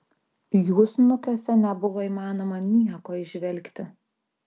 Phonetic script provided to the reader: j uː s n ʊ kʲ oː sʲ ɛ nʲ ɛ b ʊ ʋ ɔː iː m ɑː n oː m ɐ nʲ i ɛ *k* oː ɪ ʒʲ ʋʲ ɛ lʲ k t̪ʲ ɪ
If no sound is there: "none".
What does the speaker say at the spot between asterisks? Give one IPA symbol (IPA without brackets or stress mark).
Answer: k